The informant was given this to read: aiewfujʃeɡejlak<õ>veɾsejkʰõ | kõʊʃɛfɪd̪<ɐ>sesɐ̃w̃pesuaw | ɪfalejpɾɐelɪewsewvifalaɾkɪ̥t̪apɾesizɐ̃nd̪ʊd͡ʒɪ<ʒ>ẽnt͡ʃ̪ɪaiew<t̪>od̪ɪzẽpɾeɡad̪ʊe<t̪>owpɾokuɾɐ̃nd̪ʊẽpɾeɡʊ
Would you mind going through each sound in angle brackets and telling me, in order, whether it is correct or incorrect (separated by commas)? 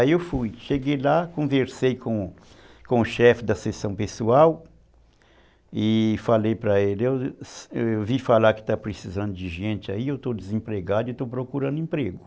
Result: correct, correct, correct, correct, correct